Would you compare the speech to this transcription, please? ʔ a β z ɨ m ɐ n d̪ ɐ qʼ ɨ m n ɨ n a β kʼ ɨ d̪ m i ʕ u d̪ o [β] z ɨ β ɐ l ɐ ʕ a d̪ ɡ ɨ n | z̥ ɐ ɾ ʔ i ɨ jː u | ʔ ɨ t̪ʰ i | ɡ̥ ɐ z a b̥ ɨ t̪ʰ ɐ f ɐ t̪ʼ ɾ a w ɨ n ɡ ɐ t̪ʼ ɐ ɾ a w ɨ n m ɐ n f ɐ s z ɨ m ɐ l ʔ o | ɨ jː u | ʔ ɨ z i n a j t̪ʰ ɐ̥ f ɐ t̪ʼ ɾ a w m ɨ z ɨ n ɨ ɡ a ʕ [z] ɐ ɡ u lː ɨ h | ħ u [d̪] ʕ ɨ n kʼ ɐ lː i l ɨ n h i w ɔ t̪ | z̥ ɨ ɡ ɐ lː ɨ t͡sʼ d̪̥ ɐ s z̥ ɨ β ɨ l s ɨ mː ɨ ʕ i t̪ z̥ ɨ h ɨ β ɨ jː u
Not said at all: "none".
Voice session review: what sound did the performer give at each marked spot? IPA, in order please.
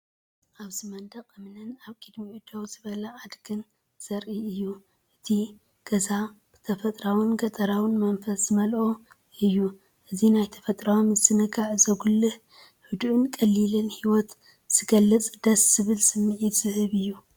w, z, d̪

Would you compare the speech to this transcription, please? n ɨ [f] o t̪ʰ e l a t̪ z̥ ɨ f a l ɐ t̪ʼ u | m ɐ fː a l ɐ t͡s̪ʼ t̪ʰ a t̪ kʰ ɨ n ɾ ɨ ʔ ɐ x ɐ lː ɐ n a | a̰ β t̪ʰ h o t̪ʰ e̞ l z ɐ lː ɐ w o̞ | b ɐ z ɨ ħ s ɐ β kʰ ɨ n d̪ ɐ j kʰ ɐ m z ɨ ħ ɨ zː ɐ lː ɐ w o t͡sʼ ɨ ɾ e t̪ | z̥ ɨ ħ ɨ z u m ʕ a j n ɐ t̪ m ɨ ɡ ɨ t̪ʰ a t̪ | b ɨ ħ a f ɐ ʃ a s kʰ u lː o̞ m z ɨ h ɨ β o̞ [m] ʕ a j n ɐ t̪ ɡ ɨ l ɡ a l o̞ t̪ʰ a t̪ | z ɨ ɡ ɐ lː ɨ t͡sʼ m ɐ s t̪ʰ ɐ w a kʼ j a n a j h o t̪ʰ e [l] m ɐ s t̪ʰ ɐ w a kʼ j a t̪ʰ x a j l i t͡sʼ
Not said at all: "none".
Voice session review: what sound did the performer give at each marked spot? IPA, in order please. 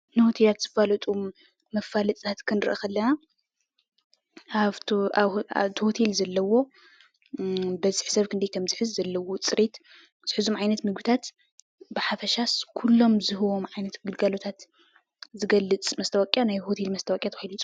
h, m, l

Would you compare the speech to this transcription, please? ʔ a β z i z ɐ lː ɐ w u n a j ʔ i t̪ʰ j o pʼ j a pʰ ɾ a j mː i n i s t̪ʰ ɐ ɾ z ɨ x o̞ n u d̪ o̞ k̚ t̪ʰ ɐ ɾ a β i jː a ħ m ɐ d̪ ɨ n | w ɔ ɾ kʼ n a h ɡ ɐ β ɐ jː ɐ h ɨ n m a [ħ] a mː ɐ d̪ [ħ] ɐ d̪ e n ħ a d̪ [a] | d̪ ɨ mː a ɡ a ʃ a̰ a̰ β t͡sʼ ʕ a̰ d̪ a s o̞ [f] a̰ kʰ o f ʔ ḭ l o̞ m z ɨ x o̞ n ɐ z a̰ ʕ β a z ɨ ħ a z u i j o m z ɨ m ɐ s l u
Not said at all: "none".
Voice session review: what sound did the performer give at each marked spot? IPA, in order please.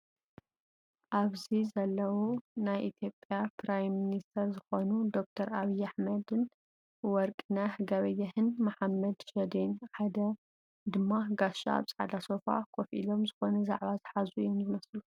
ħ, ʃ, ɐ, f

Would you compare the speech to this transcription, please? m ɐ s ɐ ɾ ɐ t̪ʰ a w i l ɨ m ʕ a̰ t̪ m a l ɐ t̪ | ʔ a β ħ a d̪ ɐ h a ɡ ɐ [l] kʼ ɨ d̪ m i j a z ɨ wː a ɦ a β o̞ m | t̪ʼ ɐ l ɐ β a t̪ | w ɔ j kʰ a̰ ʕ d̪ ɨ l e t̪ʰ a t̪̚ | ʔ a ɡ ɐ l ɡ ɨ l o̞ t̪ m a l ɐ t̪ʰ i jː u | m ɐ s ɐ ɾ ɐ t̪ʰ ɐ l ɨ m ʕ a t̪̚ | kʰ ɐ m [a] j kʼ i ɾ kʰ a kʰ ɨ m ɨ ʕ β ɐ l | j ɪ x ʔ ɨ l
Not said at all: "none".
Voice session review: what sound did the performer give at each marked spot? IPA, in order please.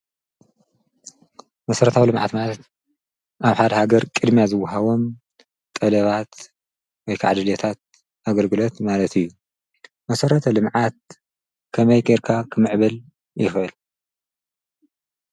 ɾ, ɐ

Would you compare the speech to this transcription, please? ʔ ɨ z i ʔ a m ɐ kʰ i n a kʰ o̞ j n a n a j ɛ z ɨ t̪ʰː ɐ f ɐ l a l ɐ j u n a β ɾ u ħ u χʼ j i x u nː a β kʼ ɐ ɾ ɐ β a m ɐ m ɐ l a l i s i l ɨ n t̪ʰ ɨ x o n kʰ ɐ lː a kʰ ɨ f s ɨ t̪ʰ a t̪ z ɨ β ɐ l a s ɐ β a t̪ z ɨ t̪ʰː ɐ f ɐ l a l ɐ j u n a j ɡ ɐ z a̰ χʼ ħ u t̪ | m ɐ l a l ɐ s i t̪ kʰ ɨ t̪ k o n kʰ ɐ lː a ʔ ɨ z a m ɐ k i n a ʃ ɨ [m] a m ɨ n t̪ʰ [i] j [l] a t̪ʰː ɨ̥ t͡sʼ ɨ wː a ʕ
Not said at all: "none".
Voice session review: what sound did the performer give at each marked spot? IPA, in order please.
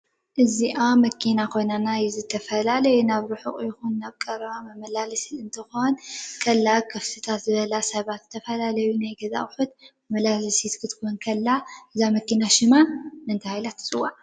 m, a, l

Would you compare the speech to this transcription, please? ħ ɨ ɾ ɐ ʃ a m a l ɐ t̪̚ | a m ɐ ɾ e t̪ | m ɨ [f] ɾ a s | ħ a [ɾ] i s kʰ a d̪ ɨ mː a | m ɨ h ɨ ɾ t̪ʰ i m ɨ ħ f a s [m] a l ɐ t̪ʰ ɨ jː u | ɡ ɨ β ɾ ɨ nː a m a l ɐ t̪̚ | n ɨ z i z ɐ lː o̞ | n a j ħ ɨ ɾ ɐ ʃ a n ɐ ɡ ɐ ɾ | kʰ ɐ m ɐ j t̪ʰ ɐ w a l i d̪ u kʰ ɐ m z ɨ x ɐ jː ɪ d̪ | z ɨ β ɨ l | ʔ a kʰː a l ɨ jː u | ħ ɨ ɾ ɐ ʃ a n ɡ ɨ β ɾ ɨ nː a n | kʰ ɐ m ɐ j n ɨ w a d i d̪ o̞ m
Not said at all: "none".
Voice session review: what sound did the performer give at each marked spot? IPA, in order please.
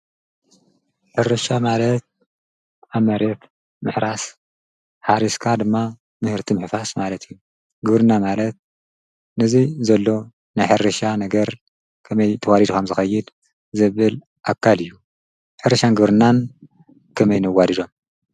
ħ, ɾ, m

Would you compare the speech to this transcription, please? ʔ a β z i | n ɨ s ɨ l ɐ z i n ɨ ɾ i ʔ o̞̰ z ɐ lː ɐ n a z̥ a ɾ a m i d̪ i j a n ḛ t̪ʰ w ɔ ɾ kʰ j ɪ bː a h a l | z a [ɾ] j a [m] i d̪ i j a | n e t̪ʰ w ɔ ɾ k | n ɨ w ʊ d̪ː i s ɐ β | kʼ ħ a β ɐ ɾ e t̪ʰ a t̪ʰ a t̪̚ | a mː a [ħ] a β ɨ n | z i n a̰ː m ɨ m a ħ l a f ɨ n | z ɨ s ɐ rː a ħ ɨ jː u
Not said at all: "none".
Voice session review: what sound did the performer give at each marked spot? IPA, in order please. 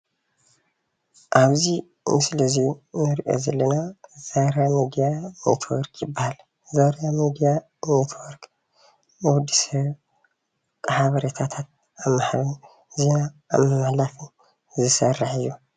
ɾ, m, ħ

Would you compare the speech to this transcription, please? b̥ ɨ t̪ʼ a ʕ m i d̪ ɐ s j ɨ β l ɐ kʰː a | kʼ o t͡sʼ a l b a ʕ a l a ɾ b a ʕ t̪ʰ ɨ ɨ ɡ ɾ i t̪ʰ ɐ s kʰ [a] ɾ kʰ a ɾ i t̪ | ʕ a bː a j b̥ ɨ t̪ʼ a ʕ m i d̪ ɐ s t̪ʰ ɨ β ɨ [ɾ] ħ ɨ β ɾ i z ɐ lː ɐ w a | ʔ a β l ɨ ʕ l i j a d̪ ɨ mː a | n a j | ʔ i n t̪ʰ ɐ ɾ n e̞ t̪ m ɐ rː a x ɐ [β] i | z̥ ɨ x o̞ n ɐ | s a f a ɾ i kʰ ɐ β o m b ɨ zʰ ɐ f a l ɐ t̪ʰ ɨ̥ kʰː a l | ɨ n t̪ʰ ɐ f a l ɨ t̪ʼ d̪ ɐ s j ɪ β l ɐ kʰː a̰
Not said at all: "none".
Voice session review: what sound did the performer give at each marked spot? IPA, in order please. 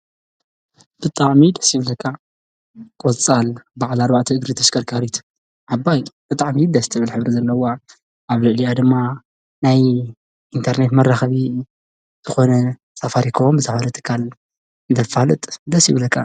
ɐ, l, β

